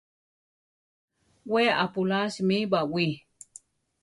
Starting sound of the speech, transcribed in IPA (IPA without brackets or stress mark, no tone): w